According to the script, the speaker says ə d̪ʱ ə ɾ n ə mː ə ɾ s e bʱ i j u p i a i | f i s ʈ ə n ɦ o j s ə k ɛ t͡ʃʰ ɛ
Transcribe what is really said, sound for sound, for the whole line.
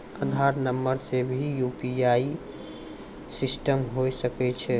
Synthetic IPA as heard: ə d̪ʱ a ɾ n ə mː ə ɾ s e bʱ i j u p i a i | s i s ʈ ə m ɦ o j s ə k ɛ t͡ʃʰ ɛ